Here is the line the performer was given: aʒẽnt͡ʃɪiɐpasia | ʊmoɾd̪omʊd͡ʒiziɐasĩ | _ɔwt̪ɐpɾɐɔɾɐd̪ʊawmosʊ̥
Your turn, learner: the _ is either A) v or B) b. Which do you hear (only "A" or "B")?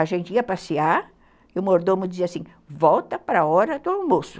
A